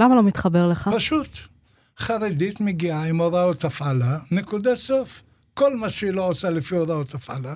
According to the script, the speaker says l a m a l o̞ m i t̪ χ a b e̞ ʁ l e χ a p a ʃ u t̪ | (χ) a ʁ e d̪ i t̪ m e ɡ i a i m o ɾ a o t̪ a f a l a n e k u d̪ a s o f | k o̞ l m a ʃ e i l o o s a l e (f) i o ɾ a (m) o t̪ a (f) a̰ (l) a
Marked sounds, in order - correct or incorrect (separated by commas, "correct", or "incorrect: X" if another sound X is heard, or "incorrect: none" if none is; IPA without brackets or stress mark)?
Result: correct, correct, incorrect: none, correct, correct